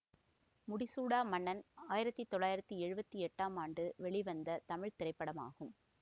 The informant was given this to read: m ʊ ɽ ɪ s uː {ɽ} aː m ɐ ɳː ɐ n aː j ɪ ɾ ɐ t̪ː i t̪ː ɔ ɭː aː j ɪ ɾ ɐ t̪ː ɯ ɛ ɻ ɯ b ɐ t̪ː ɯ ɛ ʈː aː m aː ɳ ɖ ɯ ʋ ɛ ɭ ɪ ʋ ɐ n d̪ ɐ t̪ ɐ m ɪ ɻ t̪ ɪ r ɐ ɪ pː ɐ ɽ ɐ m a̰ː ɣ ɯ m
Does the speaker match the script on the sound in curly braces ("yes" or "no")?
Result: yes